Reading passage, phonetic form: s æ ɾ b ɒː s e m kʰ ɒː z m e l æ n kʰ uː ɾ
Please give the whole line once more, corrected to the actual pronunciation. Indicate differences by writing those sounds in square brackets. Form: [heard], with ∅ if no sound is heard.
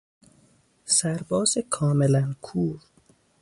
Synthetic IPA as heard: s æ ɾ b ɒː [z] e [∅] kʰ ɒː [∅] m e l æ n kʰ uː ɾ